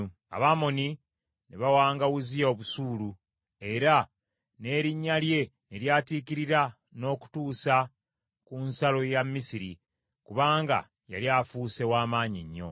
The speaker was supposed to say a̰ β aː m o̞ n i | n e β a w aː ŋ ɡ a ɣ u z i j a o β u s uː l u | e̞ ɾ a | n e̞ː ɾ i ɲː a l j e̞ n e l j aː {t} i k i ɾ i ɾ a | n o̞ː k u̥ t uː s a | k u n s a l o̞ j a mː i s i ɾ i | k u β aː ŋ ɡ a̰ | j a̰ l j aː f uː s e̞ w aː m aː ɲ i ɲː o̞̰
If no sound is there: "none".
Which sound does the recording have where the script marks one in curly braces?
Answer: t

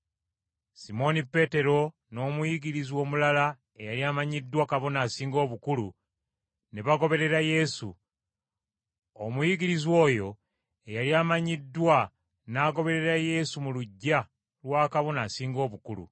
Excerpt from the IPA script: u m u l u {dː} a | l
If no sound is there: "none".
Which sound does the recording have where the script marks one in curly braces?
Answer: ɟː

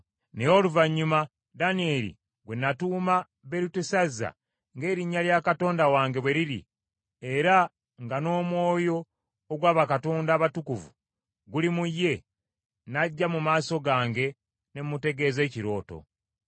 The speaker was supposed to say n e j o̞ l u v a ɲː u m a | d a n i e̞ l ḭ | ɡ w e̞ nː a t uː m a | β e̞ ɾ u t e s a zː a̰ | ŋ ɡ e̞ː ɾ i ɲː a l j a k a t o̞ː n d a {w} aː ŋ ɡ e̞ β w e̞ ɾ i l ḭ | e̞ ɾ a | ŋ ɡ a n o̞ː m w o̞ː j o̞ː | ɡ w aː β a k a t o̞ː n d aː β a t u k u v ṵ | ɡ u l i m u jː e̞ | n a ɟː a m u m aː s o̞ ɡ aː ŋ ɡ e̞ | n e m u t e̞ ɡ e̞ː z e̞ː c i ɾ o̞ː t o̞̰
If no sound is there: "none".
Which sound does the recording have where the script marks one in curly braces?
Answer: w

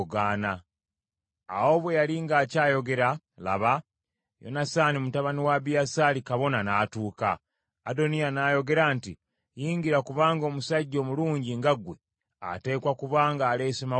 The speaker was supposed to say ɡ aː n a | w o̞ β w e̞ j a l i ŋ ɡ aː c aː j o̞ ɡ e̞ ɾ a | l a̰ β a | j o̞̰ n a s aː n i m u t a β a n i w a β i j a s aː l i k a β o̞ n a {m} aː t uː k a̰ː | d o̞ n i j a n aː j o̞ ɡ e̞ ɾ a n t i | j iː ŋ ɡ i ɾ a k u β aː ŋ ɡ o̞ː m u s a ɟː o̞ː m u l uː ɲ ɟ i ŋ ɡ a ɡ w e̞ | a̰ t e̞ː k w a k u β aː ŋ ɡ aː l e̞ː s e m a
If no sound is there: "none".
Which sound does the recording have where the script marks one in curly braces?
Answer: n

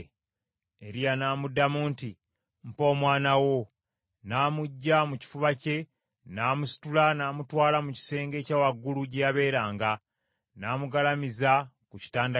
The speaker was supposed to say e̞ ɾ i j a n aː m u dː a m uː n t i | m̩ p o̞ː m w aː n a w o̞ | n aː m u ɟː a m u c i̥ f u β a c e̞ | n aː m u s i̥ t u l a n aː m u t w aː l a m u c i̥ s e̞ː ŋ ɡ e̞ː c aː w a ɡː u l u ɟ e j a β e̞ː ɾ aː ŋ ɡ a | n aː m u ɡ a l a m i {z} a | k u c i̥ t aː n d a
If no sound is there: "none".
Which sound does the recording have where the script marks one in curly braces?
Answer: z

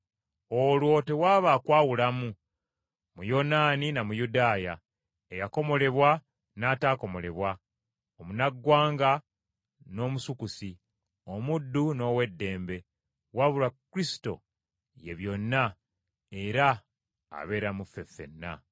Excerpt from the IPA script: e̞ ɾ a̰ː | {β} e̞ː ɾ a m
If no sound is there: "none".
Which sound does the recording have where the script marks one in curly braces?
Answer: β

